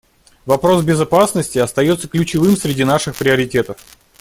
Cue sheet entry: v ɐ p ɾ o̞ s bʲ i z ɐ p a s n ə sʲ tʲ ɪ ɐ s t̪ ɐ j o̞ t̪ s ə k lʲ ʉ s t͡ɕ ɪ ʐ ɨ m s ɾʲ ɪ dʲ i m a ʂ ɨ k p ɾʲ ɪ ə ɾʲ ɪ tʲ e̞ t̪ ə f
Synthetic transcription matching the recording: v ɐ p ɾ o̞ s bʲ ɪ z ɐ p a s n ə sʲ tʲ ɪ ɐ s t̪ ɐ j o̞ t̪ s ə k lʲ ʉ t͡ɕ ɪ v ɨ m s ɾʲ ɪ dʲ i n a ʂ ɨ x p ɾʲ ɪ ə ɾʲ ɪ tʲ e̞ t̪ ə f